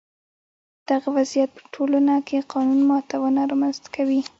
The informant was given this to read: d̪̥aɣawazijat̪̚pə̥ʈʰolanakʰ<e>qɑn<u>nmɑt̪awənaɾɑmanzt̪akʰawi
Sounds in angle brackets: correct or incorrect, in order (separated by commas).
correct, correct